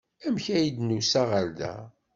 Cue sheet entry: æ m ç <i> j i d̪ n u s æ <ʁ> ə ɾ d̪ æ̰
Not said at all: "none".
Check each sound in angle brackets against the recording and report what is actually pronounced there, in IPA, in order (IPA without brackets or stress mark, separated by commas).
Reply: æ, ʁ